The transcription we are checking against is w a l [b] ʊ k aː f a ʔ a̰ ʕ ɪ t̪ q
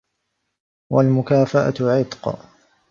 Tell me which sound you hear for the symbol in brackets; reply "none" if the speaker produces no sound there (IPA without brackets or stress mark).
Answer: m